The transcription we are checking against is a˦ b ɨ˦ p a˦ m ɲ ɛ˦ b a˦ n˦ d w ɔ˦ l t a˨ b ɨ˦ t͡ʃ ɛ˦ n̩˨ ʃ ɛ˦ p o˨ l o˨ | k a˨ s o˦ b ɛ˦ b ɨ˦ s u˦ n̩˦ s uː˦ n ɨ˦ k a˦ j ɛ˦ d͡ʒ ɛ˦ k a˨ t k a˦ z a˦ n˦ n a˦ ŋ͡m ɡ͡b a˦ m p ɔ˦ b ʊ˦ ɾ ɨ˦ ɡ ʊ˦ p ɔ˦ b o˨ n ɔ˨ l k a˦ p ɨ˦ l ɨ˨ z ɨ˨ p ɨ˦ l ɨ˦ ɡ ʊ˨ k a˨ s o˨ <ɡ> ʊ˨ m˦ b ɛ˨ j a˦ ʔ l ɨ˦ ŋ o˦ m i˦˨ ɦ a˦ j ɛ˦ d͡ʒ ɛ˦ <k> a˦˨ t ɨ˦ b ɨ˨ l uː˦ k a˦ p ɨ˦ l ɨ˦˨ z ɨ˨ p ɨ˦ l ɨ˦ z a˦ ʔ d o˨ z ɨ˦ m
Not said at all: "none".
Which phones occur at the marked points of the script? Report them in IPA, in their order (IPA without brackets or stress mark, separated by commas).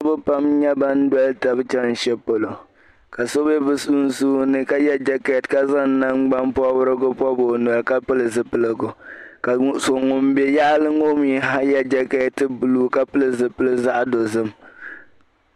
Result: ŋ, k